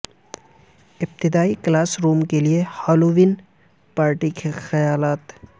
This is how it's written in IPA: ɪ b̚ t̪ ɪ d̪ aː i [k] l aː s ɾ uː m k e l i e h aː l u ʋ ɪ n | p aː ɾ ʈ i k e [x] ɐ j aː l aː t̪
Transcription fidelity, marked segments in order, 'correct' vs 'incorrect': correct, correct

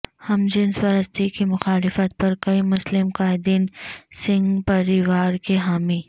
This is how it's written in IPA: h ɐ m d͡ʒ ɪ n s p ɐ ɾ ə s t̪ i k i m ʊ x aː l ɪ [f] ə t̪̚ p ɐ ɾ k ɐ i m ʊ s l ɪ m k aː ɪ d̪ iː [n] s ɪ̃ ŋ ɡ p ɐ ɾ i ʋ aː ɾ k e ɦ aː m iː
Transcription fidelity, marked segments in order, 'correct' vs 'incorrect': correct, correct

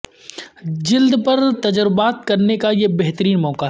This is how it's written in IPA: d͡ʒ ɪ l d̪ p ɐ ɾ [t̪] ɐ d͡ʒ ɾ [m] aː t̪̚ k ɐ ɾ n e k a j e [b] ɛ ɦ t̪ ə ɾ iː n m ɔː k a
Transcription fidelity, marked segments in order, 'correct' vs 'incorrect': correct, incorrect, correct

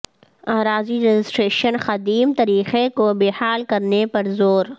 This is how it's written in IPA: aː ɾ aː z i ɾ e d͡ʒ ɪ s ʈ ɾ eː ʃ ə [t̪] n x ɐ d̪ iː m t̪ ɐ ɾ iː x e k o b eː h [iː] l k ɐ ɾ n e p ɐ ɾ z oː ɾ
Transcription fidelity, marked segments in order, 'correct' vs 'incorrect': incorrect, incorrect

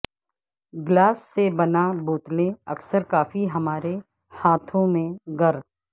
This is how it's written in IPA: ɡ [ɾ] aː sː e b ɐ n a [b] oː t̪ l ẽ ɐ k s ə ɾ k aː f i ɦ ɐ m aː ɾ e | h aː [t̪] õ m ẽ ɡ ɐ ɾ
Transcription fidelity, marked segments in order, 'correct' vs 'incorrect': incorrect, correct, incorrect

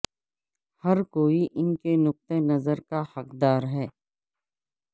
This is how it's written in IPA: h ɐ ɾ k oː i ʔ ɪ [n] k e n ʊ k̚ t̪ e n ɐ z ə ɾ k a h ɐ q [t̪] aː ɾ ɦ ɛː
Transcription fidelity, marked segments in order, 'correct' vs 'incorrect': correct, incorrect

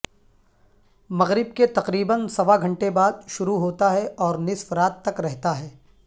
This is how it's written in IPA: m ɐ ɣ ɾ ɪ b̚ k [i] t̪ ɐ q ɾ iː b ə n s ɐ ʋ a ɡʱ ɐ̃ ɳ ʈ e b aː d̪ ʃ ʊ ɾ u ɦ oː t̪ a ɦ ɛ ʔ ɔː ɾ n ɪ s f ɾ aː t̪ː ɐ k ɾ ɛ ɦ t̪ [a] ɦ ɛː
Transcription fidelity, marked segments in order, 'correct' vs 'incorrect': incorrect, correct

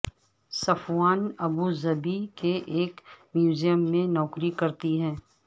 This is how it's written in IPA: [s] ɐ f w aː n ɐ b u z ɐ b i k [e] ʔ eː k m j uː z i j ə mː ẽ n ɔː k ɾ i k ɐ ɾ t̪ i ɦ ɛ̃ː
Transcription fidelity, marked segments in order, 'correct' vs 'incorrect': correct, correct

